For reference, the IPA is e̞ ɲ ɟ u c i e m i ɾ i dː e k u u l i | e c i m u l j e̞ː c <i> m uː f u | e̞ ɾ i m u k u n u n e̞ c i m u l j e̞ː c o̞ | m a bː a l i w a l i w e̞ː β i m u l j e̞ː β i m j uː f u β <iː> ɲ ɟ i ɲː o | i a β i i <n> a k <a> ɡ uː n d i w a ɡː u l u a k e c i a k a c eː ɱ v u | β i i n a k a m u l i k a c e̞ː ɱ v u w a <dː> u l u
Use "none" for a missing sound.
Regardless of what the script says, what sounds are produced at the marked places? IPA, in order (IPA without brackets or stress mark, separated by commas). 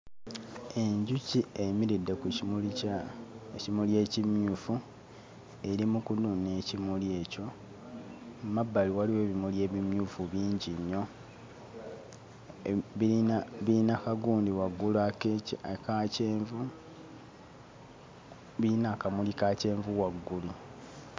i, iː, n, a, ɡː